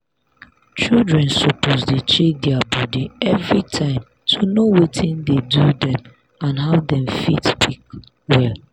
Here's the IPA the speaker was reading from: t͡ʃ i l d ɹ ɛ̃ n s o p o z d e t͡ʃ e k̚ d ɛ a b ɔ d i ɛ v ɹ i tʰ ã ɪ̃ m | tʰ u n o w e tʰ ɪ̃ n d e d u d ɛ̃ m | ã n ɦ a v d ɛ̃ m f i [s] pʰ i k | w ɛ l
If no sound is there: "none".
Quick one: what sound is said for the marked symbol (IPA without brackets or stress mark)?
t